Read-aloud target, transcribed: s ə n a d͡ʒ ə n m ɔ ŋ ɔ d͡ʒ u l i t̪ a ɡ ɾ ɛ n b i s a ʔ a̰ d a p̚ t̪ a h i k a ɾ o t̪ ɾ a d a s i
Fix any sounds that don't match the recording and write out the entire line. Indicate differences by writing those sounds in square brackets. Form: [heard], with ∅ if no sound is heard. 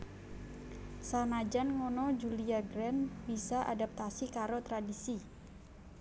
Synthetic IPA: s [a] n a d͡ʒ [a] n [ŋ] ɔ [n] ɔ d͡ʒ u l i [∅] a ɡ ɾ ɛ n b i s a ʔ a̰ d a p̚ t̪ a [s] i k a ɾ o t̪ ɾ a d [i] s i